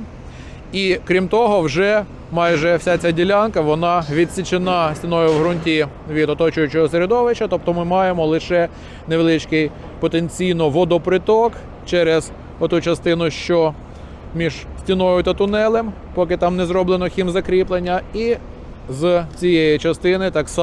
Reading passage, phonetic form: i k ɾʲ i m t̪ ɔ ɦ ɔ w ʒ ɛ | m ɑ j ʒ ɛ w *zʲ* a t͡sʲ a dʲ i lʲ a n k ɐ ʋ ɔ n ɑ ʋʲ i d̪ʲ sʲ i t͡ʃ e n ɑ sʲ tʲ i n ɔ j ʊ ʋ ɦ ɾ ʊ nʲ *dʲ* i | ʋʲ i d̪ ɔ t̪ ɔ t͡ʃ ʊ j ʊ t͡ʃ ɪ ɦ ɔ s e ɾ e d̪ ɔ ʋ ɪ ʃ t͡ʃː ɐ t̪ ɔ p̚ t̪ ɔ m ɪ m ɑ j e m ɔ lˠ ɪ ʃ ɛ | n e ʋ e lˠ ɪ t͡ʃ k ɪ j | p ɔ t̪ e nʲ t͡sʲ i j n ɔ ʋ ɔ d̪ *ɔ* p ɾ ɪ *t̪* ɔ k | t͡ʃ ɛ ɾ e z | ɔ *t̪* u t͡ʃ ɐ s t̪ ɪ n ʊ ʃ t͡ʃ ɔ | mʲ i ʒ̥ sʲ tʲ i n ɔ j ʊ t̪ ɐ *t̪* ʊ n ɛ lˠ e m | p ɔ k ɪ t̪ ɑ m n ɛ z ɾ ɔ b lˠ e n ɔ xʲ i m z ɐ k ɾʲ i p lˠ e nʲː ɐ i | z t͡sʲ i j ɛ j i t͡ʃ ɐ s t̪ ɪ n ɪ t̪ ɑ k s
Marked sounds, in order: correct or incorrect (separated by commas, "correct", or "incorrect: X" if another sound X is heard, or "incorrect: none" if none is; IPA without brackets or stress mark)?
incorrect: sʲ, incorrect: tʲ, correct, correct, correct, correct